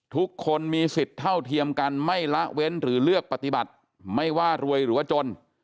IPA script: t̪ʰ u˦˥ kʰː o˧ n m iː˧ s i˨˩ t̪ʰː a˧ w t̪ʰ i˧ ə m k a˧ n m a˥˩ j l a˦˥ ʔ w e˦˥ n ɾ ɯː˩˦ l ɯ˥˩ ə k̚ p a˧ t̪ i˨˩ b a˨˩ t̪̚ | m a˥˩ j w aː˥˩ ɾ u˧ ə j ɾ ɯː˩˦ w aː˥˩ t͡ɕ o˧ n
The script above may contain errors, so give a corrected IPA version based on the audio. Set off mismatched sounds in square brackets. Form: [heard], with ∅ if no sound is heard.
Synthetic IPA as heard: t̪ʰ u˦˥ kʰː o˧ n m iː˧ s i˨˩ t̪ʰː [a˥˩] w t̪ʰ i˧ ə m k a˧ n m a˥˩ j l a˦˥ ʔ w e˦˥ n ɾ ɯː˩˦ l ɯ˥˩ ə k̚ p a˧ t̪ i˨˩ b a˨˩ t̪̚ | m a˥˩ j w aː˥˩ ɾ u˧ ə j ɾ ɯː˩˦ w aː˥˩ t͡ɕ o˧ n